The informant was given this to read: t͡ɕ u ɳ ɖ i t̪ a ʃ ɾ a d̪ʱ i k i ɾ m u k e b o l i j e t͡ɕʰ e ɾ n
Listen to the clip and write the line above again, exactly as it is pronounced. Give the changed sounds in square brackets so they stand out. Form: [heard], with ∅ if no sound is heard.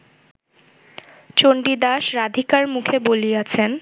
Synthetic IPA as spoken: t͡ɕ [o] ɳ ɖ i [d̪] a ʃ ɾ a d̪ʱ i k [a] ɾ m u [kʰ] e b o l i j [a] t͡ɕʰ e [∅] n